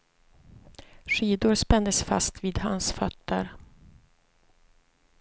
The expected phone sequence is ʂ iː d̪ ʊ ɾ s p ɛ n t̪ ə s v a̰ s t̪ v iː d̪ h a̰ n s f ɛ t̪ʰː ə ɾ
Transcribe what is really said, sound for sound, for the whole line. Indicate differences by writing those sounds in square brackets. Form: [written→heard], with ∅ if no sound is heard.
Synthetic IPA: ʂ iː d̪ ʊ ɾ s p ɛ n [t̪→d̪] ə s [v→f] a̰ s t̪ v iː d̪ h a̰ n s f [ɛ→œ] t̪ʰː ə ɾ